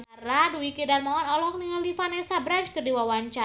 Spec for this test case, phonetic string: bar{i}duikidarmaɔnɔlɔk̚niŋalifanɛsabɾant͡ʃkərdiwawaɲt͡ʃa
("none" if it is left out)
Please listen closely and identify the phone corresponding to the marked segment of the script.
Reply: a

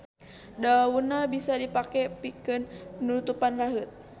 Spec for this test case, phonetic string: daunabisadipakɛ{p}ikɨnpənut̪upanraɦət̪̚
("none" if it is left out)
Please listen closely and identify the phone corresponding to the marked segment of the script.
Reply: p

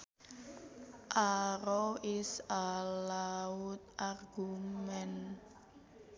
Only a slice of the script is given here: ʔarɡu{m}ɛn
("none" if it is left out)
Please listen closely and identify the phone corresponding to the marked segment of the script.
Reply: m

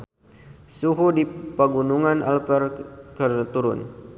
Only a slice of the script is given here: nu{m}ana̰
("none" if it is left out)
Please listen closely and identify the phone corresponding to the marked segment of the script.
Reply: ŋ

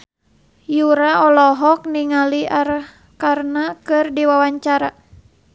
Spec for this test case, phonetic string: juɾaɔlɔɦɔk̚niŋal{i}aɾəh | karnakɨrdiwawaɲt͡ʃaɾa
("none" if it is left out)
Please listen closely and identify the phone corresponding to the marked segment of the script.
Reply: i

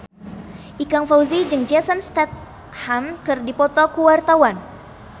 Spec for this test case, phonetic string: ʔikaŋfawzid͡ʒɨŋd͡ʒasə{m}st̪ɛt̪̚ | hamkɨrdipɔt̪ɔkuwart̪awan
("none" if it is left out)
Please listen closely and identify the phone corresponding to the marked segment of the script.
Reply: n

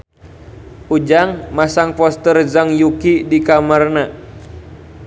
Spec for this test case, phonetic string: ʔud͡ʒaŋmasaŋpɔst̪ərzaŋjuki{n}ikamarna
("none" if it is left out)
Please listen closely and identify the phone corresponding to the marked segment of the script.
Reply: d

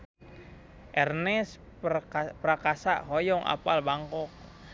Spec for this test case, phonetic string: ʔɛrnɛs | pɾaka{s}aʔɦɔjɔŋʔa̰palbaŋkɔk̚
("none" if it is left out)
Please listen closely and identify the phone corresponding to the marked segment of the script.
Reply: s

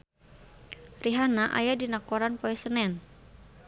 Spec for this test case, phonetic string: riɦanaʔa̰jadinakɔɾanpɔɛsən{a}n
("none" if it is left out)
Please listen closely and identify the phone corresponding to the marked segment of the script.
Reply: ɛ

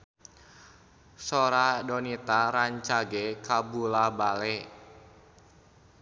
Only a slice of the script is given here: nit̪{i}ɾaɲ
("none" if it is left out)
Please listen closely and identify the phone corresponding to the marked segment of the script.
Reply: a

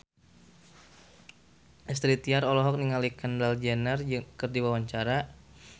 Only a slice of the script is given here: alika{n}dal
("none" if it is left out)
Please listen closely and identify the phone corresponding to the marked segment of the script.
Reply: n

